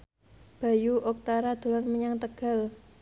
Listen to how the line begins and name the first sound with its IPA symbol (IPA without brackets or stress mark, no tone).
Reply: b̥